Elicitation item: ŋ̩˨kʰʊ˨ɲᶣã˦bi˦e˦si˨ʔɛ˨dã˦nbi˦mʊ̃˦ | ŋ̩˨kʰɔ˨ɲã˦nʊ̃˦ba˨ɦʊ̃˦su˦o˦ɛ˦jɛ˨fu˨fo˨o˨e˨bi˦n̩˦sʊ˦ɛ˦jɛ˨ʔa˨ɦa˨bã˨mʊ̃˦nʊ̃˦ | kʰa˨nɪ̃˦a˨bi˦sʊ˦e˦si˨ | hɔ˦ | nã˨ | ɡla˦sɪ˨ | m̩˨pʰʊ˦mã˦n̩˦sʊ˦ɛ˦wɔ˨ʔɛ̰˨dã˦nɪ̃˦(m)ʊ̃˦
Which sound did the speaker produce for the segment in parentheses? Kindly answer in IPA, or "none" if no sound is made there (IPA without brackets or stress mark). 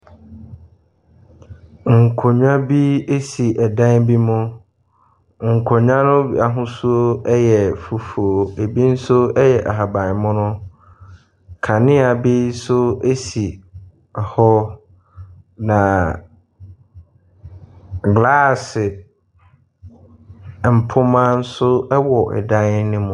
m